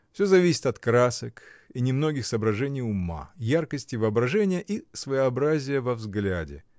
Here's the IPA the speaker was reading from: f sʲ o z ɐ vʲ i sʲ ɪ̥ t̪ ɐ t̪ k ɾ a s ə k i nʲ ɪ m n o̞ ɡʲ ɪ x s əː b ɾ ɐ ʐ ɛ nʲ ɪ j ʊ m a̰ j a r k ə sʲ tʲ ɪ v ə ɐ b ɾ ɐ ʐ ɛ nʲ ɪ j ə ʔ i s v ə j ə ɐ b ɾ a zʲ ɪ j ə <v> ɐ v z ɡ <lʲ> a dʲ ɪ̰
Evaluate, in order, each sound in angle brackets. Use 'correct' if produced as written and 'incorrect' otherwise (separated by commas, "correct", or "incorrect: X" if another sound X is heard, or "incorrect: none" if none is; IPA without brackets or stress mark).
correct, correct